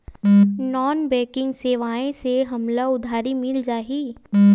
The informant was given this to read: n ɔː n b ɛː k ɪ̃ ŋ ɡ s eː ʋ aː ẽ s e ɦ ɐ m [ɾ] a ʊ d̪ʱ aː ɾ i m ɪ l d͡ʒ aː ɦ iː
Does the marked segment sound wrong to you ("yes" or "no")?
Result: yes